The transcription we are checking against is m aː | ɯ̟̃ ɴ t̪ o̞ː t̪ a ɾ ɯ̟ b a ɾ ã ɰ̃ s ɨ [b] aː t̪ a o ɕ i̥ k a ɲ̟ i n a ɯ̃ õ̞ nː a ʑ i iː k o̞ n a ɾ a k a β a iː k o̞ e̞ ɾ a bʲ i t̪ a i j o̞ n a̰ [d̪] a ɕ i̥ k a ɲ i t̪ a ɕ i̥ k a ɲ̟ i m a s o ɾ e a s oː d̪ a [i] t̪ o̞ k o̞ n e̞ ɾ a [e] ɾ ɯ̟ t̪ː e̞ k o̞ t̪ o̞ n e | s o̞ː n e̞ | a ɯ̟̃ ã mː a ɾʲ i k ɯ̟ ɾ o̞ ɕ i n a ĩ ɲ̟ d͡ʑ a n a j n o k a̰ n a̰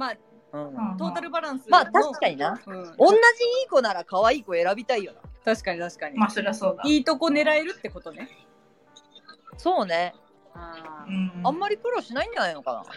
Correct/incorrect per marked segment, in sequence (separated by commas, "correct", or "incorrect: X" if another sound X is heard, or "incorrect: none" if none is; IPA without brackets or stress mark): incorrect: m, incorrect: t̪, incorrect: iː, correct